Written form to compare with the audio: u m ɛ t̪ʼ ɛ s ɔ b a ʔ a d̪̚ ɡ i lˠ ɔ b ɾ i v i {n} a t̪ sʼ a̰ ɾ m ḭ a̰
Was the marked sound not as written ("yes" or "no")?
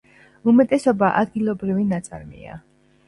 no